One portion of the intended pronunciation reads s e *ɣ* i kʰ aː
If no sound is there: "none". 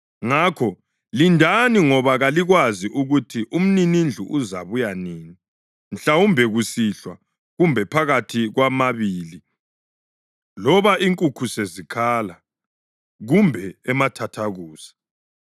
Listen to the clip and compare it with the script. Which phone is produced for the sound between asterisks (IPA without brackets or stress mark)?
z